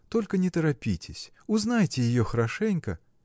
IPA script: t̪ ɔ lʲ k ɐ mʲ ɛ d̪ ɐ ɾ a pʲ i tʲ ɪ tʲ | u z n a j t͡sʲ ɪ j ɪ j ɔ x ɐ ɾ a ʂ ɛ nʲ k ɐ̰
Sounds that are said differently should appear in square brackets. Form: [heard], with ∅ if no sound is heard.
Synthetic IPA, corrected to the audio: t̪ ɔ lʲ k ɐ [nʲ] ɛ [t̪] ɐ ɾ a pʲ i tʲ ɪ [sʲ] | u z n a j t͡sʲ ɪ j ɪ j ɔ x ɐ ɾ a ʂ ɛ nʲ k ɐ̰